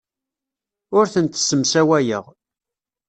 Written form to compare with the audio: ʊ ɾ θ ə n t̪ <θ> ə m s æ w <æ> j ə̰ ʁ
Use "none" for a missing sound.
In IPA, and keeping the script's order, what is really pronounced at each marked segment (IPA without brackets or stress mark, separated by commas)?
s, æ